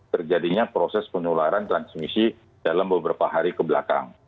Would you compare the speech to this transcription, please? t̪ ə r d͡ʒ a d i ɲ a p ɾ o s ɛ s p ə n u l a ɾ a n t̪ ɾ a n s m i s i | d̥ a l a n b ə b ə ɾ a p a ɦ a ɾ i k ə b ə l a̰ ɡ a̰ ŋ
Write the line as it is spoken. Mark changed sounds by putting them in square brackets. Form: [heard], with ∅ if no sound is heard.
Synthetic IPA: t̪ ə r d͡ʒ a d i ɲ a p ɾ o s ɛ s p ə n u l a ɾ a n t̪ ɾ a n s m i s i | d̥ a l a [m] b ə b ə ɾ a p a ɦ a ɾ i k ə b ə l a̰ [k] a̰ ŋ